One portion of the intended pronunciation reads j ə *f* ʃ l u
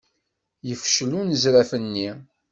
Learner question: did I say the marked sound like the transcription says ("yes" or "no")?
yes